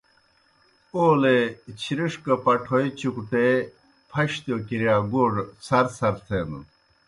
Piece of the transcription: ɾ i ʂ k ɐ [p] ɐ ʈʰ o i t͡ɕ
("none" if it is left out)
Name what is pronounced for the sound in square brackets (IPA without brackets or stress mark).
p